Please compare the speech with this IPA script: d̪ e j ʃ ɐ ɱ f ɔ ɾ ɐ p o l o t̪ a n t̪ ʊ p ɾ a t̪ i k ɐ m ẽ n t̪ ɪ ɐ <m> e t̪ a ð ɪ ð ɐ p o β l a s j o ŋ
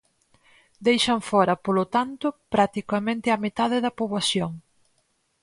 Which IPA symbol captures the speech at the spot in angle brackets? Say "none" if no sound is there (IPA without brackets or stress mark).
m